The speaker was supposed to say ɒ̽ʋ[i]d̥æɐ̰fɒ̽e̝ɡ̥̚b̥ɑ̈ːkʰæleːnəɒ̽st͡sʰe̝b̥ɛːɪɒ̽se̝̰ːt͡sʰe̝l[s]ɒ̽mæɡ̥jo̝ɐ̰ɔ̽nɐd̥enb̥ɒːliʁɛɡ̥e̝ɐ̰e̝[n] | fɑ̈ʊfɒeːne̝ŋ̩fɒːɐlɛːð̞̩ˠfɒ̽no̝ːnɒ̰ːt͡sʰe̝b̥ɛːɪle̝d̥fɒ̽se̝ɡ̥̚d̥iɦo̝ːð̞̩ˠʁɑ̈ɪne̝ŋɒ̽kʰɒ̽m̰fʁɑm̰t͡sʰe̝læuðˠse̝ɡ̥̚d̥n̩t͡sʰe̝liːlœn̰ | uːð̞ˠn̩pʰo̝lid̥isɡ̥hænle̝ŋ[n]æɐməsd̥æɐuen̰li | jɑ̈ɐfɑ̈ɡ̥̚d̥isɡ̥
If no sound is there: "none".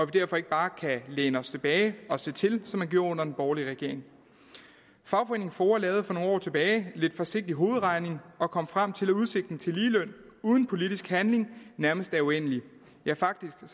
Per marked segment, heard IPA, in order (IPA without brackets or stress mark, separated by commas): i, s, ŋ, n